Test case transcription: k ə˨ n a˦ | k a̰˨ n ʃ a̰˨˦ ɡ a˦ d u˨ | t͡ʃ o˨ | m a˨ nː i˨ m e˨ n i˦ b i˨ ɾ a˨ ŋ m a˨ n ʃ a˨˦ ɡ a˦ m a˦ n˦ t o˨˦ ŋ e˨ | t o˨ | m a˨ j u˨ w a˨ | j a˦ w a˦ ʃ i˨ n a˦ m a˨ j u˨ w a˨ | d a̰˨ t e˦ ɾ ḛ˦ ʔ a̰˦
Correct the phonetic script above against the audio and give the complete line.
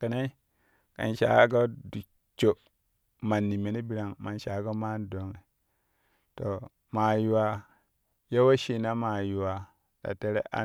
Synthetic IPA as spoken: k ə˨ n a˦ | k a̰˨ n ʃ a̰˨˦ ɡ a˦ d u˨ | t͡ʃ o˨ | m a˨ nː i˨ m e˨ n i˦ b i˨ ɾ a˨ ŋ m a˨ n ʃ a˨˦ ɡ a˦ m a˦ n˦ d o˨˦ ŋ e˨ | t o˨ | m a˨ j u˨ w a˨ | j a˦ w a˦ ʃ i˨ n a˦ m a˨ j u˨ w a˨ | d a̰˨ t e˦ ɾ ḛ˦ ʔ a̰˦